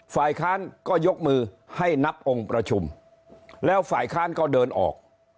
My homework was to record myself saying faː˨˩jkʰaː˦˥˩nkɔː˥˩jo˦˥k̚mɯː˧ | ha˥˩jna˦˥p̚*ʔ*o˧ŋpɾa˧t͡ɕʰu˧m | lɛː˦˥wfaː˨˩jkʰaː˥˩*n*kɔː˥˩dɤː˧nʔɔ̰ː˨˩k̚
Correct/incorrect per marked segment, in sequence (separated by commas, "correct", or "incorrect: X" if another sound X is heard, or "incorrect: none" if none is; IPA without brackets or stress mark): correct, correct